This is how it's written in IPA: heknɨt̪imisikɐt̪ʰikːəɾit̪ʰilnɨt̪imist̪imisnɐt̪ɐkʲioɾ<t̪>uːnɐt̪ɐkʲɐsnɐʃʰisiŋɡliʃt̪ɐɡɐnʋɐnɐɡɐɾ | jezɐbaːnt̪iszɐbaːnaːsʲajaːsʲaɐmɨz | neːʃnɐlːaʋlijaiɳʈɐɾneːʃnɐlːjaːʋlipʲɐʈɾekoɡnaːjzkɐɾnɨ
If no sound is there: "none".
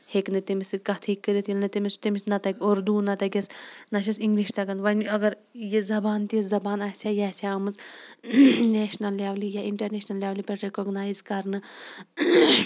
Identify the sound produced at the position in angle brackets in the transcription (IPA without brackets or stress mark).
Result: d̪